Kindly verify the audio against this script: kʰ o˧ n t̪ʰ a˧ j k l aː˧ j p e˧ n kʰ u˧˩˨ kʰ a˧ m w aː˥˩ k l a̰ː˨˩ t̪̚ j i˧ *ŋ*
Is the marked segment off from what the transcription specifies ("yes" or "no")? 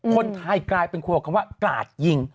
no